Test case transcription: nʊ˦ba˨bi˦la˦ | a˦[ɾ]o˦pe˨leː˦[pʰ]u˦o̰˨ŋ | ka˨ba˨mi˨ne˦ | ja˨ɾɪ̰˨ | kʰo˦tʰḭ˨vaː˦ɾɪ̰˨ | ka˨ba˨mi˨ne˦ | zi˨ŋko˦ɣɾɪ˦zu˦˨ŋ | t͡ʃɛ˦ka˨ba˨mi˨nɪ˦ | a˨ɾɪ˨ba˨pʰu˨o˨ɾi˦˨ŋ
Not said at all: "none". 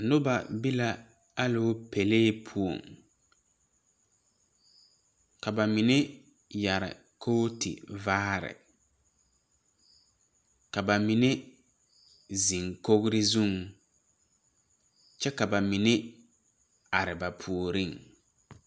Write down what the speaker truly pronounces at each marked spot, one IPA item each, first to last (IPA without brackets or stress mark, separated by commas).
l, pʰ